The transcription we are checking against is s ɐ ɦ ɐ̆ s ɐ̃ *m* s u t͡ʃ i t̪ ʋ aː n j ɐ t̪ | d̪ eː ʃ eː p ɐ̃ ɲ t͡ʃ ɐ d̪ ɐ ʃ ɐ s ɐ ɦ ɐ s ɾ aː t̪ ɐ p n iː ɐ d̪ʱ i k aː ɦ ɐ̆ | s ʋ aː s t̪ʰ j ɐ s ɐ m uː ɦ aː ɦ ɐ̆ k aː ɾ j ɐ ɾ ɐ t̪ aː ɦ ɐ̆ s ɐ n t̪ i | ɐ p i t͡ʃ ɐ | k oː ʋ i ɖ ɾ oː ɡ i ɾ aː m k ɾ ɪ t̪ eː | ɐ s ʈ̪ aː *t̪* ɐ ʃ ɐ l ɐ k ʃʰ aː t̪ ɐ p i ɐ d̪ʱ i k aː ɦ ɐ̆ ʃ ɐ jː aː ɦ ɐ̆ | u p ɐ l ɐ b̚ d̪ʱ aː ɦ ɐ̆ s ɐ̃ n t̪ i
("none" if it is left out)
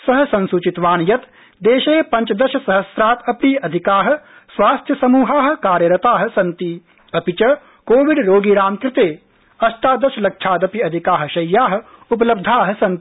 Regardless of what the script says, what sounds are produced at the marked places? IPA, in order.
n, d̪

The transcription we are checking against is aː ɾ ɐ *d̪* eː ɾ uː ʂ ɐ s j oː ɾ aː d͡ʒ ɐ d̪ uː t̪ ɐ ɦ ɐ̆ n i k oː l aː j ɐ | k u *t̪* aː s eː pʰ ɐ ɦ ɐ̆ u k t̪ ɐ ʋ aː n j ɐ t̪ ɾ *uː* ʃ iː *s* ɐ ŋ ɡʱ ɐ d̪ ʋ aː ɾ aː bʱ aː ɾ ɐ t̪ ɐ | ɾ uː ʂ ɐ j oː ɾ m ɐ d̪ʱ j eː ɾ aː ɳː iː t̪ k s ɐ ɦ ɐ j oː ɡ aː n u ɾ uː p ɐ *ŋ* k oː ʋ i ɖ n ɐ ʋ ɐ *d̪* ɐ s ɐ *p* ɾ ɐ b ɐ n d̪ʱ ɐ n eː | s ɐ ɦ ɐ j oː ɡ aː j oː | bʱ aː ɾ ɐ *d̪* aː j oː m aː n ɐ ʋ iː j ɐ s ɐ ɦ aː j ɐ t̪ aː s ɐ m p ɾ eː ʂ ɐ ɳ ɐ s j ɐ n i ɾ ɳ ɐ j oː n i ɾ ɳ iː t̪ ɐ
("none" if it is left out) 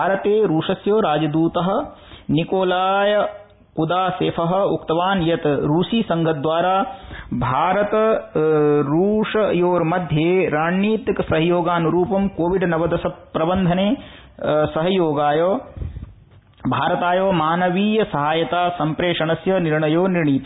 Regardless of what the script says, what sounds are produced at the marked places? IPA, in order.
t̪, d̪, uː, s, m, d̪, p, t̪

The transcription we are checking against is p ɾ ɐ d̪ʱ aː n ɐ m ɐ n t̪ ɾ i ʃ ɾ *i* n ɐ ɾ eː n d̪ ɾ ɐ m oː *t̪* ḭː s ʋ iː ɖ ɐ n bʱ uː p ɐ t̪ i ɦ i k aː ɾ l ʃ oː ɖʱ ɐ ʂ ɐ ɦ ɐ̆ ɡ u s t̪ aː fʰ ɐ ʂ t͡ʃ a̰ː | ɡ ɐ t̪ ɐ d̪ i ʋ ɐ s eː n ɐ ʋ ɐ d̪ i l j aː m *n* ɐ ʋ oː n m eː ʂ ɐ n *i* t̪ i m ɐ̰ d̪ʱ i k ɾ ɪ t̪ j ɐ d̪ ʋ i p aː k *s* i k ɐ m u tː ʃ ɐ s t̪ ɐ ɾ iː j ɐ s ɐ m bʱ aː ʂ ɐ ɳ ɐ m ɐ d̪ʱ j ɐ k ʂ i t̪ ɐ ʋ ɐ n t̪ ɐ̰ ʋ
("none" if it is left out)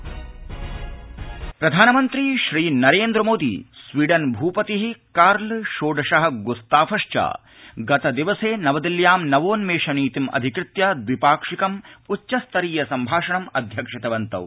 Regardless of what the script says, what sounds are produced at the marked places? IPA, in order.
iː, d̪, n, iː, ʂ

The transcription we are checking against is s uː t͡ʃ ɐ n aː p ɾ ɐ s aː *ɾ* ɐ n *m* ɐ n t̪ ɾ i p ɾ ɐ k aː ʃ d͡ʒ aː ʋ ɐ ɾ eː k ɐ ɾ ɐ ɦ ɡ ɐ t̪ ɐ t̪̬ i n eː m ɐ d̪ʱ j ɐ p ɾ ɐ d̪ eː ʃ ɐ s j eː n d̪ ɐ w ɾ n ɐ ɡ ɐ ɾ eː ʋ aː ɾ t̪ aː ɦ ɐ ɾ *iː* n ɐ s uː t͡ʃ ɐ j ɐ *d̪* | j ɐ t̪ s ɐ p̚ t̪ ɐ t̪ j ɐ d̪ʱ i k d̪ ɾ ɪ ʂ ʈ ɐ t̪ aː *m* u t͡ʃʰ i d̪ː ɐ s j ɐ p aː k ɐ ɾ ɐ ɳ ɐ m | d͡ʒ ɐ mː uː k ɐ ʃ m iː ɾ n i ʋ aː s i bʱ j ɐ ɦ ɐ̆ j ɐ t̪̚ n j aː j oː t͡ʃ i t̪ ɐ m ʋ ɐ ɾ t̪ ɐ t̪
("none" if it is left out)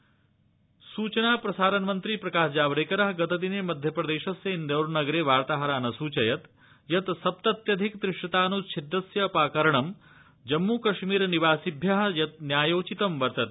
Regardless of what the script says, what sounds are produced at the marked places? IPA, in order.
ɾ, m, aː, t̪, n

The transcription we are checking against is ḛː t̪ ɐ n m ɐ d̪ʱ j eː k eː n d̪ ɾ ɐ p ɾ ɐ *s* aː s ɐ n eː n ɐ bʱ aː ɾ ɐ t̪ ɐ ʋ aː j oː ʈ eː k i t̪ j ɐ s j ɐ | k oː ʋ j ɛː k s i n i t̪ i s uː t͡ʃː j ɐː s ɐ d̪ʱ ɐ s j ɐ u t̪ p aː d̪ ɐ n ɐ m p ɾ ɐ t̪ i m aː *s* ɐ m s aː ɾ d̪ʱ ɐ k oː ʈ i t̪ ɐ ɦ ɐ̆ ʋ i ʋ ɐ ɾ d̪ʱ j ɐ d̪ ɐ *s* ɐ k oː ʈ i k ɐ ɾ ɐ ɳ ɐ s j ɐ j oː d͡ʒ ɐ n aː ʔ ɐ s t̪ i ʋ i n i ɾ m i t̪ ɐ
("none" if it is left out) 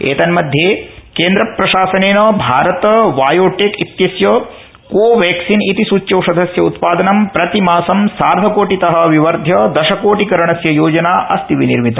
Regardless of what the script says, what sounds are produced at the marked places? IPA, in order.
ʃ, s, ʃ

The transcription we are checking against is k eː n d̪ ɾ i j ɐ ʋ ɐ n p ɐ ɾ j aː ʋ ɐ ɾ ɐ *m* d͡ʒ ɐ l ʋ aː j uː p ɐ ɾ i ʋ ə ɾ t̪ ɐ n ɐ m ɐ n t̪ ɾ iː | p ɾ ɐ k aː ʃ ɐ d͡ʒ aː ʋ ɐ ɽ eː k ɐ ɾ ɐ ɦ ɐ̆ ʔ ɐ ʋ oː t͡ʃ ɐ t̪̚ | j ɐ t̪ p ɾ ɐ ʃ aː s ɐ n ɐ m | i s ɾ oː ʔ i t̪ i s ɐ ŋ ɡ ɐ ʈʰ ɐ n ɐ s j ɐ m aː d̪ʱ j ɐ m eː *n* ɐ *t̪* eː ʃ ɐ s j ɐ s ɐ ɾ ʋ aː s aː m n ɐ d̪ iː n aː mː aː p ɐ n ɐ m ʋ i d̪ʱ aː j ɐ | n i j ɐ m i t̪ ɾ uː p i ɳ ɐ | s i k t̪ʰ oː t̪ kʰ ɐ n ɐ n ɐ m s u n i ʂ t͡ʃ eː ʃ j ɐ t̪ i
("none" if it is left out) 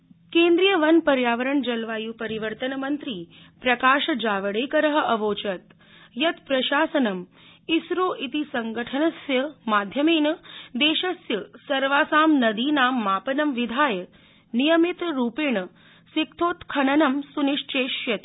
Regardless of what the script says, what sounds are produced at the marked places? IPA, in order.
ɳ, n, d̪

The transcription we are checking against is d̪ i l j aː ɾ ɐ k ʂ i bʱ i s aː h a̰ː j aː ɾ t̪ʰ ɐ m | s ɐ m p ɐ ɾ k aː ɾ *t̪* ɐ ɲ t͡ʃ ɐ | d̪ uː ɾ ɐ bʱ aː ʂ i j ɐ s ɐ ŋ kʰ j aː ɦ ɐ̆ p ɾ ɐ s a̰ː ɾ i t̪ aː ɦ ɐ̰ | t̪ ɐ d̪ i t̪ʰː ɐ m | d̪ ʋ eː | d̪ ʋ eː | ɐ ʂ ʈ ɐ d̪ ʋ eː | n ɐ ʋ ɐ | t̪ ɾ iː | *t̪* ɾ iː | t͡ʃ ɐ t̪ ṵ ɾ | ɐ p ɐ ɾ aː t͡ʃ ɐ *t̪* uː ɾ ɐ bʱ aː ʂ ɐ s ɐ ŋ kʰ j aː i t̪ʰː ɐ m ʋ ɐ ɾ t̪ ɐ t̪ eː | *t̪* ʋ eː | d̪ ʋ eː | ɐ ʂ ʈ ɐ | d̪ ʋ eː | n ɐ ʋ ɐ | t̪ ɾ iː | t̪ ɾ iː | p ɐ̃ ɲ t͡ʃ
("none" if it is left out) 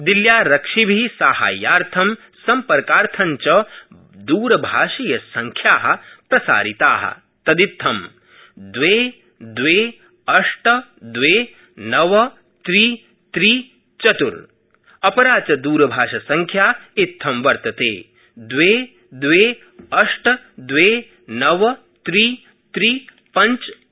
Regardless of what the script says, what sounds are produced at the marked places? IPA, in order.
t̪ʰ, t̪, d̪, d̪

